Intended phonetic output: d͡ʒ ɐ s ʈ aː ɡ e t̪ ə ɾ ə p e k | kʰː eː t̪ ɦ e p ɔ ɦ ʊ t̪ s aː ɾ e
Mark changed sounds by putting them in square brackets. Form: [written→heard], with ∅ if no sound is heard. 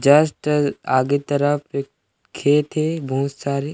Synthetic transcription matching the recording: d͡ʒ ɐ s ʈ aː ɡ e t̪ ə ɾ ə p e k | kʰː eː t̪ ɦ e [p→b] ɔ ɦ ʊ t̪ s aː ɾ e